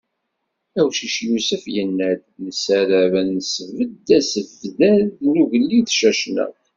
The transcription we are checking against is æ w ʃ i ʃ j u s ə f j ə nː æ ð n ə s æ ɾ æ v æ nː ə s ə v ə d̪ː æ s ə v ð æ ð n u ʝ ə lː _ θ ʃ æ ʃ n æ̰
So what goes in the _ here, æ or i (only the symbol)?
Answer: i